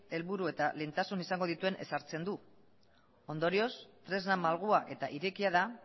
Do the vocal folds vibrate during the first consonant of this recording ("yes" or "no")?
yes